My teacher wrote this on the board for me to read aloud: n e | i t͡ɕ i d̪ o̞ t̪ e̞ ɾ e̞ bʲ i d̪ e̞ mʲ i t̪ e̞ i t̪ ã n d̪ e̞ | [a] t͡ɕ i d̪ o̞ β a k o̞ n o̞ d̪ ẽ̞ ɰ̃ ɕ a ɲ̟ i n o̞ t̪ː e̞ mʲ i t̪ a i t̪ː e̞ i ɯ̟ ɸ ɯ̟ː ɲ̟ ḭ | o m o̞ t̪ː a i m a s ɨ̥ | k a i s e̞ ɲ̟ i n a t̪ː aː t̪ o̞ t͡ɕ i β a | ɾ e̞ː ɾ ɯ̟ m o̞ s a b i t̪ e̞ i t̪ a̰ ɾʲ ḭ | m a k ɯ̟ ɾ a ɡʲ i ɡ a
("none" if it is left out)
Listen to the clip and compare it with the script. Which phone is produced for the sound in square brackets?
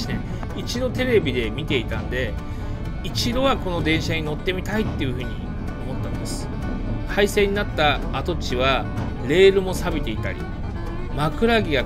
i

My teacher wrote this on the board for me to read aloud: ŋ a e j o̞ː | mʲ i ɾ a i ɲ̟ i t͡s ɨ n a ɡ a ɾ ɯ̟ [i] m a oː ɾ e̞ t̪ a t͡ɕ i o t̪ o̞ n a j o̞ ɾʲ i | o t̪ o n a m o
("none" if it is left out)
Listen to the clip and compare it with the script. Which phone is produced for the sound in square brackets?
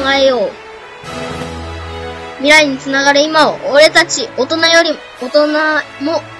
i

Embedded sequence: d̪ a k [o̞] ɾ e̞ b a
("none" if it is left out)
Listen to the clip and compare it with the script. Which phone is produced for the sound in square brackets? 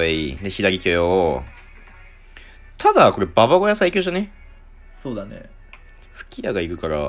o̞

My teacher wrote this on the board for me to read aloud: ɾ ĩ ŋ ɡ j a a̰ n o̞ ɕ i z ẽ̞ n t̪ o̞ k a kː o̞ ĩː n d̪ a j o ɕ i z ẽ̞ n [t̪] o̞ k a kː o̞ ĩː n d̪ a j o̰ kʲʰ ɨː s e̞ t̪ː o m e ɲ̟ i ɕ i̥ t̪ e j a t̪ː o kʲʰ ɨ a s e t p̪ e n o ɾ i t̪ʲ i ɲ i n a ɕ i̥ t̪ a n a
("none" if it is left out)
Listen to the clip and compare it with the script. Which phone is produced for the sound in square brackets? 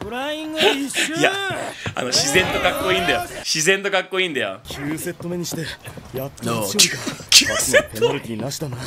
t̪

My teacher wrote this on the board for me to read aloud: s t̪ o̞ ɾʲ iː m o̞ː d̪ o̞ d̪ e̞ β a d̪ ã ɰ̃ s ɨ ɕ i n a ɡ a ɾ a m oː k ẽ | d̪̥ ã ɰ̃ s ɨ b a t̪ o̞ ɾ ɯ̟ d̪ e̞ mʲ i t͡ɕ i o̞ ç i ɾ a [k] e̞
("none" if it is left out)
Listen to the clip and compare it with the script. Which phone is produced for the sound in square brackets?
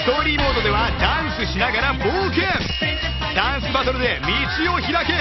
k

